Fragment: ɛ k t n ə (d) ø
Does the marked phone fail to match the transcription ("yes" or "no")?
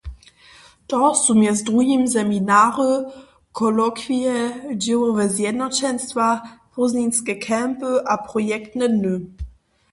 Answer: yes